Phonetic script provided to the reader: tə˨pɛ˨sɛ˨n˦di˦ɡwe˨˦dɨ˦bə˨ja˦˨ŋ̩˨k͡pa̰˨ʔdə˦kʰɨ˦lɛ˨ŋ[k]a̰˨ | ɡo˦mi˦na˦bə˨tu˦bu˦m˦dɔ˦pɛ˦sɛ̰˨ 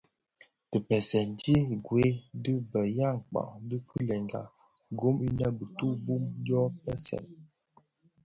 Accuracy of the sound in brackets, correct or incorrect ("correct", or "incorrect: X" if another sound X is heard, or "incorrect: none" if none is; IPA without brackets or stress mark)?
incorrect: ɡ